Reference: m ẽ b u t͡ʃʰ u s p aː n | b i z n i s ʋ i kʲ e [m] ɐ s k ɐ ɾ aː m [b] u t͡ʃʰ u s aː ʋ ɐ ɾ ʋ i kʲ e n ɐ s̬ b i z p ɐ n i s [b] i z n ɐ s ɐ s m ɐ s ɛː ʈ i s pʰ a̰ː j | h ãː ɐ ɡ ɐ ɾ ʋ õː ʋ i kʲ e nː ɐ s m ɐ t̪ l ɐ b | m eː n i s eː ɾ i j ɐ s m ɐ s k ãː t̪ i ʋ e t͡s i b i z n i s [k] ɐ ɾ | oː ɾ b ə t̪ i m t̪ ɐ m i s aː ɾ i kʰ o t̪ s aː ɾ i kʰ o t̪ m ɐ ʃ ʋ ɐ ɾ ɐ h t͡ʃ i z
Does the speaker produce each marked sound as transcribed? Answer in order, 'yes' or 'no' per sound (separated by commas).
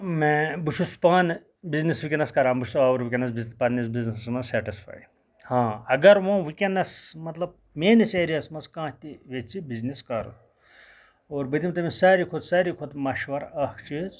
no, yes, yes, yes